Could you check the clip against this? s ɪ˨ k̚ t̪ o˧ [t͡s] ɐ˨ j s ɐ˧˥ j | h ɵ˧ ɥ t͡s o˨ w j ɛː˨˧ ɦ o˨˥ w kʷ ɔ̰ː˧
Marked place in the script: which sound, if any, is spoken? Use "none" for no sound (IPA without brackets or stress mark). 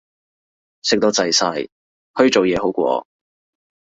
t͡s